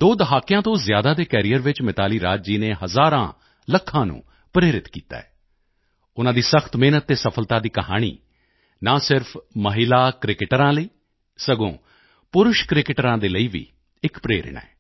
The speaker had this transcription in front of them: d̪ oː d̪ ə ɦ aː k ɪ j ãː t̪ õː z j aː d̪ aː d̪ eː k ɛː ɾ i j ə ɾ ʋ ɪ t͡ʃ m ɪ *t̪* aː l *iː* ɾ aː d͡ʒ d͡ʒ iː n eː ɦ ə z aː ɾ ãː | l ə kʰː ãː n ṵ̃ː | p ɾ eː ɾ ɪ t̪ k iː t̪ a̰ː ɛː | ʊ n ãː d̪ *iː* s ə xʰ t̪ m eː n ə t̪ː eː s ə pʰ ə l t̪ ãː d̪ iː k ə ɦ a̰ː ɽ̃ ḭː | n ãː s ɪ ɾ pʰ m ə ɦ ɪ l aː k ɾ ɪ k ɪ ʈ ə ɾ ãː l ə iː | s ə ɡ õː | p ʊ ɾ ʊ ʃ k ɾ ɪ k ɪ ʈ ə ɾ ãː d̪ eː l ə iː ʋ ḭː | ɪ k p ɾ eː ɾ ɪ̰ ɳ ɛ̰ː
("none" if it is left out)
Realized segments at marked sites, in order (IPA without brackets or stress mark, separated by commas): t̪, iː, iː